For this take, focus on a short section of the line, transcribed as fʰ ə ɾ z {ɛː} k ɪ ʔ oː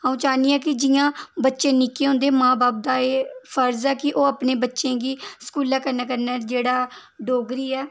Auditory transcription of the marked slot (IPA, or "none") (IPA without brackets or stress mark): ɛː